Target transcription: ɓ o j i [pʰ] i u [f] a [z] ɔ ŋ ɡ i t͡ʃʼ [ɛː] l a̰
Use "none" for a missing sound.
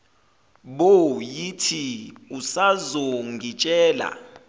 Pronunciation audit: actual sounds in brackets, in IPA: tʰ, s, z, ɛː

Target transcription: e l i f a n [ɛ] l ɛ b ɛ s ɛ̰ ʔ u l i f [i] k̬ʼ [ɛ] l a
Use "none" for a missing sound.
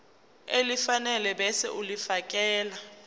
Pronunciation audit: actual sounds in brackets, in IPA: ɛ, a, ɛː

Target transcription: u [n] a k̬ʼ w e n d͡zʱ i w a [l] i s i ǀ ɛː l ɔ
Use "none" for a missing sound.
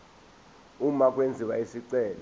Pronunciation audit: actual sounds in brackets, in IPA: m, none

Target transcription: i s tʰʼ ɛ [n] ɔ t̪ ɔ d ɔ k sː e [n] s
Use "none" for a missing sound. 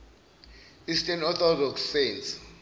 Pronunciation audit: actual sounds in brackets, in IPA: n, n

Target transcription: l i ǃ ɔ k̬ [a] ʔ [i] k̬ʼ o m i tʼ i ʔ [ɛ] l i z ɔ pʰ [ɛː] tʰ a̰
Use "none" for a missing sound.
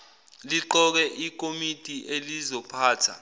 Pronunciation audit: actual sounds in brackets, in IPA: ɛ, i, e, aː

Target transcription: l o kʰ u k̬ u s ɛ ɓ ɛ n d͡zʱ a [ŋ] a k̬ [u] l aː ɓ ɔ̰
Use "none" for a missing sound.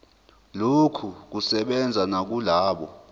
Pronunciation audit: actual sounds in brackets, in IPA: n, u

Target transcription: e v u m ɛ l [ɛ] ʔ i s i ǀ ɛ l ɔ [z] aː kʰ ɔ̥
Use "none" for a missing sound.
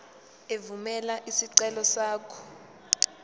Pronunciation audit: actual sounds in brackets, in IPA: a, s

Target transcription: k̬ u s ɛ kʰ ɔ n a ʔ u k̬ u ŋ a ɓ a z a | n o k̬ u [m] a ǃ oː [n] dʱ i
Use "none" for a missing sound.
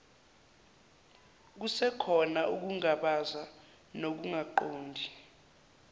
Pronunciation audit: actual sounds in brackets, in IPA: ŋ, n

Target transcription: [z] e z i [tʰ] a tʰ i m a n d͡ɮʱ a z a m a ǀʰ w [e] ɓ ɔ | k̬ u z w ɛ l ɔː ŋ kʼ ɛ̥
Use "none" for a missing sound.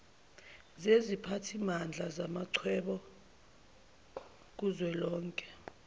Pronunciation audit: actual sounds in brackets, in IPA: z, pʰ, ɛ

